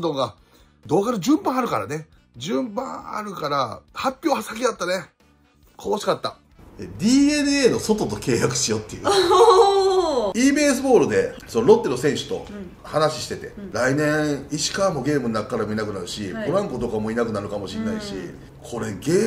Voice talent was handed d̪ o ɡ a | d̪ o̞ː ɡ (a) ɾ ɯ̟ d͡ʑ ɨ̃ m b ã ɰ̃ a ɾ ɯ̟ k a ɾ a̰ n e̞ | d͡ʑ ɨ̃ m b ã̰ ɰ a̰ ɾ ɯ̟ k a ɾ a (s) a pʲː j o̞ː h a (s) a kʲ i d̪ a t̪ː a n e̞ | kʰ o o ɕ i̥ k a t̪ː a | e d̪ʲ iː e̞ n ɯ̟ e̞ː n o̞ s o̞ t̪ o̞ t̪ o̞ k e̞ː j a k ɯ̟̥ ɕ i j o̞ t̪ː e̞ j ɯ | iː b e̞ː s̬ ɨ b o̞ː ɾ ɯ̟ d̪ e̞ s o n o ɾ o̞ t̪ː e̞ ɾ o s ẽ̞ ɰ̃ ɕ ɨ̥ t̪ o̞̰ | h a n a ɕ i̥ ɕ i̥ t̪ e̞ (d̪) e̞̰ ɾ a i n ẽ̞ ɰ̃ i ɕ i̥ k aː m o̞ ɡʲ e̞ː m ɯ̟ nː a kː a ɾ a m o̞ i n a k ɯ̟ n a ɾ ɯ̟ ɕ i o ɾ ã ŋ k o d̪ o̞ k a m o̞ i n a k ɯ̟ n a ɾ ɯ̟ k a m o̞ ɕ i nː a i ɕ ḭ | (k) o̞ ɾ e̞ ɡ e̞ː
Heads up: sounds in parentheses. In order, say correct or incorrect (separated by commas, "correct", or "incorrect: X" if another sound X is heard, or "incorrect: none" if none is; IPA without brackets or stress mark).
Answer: correct, incorrect: h, correct, incorrect: t̪, incorrect: kʰ